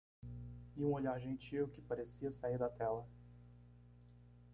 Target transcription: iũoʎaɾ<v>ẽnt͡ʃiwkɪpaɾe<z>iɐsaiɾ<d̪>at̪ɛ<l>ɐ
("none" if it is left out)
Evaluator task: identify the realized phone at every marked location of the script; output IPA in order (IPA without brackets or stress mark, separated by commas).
ʒ, s, d̪, l